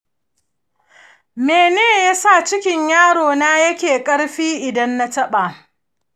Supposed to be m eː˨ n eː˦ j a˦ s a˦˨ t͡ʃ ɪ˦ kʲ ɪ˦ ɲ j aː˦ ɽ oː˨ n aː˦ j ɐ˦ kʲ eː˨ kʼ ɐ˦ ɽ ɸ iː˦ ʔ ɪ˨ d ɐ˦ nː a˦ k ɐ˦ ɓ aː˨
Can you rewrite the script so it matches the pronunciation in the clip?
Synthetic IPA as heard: m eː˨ n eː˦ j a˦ s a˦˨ t͡ʃ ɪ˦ kʲ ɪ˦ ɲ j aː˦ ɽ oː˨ n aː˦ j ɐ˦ kʲ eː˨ kʼ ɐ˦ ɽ ɸ iː˦ ʔ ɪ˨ d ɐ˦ nː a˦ t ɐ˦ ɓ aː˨